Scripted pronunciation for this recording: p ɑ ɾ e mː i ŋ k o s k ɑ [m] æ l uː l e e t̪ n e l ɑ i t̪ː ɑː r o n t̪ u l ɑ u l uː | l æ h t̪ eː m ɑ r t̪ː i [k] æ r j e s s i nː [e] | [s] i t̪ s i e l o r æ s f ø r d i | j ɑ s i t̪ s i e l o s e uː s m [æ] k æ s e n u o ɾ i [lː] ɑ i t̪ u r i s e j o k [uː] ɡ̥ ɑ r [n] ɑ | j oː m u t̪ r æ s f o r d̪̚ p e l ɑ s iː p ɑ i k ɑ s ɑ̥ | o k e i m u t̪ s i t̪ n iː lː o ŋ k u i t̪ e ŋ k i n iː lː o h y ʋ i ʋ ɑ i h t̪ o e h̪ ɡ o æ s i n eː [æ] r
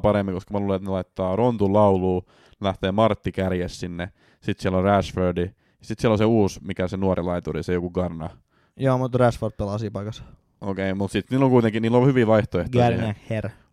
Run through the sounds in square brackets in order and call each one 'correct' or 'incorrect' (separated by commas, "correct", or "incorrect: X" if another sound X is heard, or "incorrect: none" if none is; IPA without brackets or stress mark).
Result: correct, correct, correct, correct, incorrect: i, incorrect: l, incorrect: u, correct, incorrect: e